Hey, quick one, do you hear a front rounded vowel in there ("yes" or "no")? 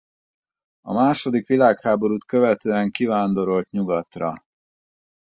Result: yes